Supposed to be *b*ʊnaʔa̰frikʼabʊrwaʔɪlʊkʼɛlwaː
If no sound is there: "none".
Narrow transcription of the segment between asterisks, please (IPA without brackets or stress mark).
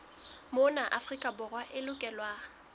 m